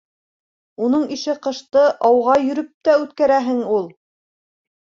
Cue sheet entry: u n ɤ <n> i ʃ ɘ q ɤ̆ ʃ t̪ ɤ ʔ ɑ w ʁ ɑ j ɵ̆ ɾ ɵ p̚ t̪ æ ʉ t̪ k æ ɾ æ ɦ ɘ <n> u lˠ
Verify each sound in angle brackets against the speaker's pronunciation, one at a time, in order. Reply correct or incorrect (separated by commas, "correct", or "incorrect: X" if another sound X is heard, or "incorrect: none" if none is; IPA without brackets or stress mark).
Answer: incorrect: ɴ, incorrect: ŋ